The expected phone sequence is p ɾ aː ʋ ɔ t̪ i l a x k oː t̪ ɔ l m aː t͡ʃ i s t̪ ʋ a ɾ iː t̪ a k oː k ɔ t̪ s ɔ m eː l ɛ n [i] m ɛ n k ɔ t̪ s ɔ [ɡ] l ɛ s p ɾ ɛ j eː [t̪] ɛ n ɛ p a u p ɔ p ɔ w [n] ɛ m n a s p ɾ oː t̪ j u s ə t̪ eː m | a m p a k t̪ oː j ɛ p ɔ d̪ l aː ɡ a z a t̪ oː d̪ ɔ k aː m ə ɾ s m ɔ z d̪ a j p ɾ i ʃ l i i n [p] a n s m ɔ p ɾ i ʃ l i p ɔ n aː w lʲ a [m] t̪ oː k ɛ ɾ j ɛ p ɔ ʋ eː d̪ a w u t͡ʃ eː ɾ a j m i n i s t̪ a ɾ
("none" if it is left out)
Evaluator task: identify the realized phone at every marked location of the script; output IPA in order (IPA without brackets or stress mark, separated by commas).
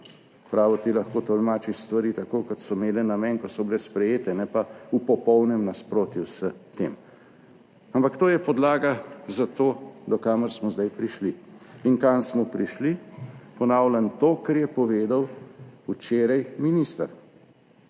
a, b, t̪, n, k, n